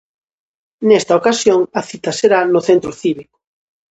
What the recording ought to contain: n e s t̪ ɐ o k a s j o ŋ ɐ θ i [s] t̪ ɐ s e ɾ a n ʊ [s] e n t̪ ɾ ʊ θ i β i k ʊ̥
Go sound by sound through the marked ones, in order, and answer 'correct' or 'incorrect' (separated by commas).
incorrect, incorrect